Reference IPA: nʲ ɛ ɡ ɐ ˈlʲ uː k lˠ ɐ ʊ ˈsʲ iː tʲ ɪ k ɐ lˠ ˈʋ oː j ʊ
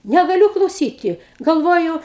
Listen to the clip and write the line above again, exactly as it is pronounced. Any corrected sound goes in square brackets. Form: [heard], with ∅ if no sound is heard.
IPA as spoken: nʲ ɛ ɡ ɐ ˈlʲ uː k lˠ ɐ ʊ ˈsʲ iː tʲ ɪ [ɡ] ɐ lˠ ˈʋ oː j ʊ